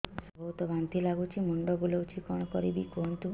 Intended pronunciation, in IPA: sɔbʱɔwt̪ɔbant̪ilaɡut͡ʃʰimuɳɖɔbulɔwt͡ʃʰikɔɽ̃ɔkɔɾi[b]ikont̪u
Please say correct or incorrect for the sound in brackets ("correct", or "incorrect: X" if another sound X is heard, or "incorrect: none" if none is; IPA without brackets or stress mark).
correct